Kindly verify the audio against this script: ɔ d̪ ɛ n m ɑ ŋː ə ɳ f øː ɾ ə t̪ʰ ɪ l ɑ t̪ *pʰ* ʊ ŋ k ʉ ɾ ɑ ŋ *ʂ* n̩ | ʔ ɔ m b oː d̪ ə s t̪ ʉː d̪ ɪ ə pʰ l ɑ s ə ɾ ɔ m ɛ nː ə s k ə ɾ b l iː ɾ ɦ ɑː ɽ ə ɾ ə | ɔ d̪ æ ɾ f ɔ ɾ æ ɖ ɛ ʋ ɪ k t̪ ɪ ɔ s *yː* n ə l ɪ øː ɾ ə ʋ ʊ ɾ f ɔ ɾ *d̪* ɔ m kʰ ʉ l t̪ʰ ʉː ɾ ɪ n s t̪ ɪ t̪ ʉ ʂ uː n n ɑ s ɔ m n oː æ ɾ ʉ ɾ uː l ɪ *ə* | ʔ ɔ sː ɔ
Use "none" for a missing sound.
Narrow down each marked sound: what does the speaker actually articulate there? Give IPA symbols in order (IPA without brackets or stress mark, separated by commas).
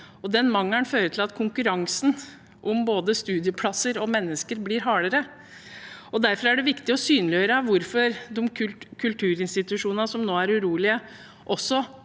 kʰ, s, yː, d̪, ə